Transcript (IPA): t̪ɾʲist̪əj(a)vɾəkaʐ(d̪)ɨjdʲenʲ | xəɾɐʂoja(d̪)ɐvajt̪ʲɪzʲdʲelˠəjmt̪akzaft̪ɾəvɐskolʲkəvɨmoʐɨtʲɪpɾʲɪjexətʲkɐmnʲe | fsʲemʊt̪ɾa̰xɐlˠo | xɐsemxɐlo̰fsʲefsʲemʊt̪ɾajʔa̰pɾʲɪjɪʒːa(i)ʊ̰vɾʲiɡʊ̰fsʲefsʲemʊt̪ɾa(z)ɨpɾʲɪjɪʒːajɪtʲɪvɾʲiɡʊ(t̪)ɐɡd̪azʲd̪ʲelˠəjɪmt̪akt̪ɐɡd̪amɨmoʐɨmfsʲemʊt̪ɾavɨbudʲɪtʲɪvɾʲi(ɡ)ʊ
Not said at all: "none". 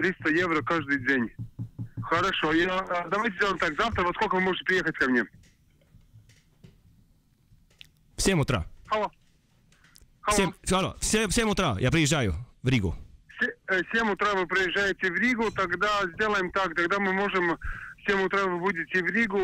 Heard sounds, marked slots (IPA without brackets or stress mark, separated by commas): e, d̪, d̪, j, v, t̪, ɡ